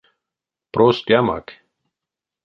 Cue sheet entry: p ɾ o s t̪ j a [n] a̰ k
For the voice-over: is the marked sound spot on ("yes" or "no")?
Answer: no